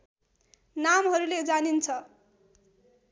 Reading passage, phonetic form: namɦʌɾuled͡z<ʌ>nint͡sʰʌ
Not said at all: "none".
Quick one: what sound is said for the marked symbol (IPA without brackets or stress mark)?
a